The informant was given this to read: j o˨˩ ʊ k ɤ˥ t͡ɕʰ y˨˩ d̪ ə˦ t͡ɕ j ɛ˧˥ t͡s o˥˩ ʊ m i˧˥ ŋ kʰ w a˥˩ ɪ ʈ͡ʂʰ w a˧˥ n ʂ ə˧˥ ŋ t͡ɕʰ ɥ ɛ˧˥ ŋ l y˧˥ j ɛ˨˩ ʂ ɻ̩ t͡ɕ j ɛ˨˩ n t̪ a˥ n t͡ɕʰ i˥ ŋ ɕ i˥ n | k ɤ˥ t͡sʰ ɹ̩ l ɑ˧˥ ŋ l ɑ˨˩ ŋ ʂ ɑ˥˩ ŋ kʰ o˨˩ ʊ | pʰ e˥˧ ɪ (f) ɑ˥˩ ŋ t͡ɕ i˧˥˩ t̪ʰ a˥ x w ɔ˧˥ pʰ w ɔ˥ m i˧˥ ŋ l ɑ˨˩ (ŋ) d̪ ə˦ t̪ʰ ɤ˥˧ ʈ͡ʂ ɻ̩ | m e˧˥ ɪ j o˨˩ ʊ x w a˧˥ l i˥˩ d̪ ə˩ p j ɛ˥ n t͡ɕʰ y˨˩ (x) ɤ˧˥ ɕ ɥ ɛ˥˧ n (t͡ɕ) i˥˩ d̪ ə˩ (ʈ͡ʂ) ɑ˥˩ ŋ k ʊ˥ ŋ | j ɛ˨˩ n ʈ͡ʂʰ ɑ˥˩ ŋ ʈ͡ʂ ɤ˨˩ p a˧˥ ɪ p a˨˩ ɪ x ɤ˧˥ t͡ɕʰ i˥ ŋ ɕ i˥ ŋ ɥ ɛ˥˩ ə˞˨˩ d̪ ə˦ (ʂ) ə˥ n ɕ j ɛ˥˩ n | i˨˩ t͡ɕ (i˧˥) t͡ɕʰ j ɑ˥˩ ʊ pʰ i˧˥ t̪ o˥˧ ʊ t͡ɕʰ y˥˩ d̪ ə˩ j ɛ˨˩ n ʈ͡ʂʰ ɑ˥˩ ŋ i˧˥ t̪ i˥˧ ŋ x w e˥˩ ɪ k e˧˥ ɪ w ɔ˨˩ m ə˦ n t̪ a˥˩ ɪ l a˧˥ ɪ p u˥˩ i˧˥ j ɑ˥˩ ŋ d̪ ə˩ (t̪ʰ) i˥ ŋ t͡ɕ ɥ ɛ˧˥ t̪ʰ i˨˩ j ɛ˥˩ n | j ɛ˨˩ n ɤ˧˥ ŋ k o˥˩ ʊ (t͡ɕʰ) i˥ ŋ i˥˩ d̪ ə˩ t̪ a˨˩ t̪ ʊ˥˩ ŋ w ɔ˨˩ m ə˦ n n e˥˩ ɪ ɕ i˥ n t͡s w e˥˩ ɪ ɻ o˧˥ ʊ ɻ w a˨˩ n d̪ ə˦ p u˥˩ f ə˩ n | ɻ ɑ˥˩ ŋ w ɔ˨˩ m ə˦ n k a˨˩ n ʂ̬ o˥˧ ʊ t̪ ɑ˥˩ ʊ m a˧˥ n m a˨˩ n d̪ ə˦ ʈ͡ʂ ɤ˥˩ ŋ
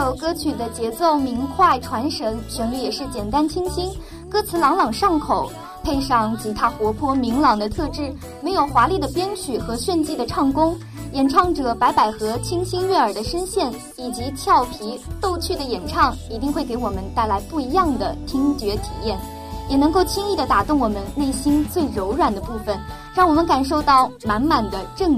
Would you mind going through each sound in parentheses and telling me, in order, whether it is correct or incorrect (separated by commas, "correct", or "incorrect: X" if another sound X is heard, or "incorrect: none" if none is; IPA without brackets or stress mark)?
incorrect: ʂ, correct, correct, correct, incorrect: ʈ͡ʂʰ, correct, correct, correct, correct